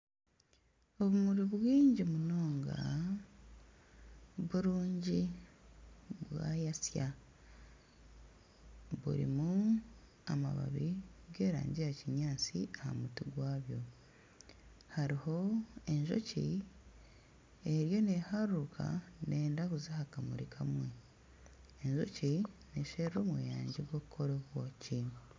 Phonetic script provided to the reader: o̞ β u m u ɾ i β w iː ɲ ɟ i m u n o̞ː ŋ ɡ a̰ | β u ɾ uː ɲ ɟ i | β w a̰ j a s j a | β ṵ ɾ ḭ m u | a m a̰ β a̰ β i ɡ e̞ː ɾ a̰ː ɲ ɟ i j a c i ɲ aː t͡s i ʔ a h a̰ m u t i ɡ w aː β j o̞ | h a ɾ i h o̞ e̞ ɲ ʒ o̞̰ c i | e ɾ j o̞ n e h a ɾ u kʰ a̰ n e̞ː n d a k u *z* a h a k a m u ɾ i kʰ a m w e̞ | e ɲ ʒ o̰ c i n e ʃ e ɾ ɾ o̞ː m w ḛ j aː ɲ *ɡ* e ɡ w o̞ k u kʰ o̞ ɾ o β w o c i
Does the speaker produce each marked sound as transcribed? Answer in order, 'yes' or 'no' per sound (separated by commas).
yes, no